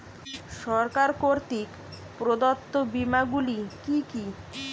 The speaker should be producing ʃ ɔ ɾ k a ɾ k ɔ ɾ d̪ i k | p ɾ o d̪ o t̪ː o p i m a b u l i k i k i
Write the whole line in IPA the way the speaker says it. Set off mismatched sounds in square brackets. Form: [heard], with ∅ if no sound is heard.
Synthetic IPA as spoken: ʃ ɔ ɾ k a ɾ k [o] ɾ [t̪] i k | p ɾ o d̪ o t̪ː o [b] i m a [ɡ] u l i k i k i